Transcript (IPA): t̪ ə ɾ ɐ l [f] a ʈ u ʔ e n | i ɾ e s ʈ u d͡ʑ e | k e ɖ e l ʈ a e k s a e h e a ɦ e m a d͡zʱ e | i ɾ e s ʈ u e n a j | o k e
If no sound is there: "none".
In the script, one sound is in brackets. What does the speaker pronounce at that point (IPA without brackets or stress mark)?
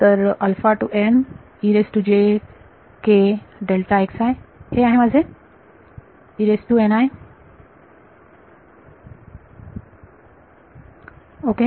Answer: f